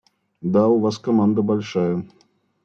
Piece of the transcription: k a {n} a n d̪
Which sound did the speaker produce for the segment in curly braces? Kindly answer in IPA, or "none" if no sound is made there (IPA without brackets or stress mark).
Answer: m